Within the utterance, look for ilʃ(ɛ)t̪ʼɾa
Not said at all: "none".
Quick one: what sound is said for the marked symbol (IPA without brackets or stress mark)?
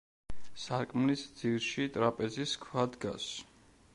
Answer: i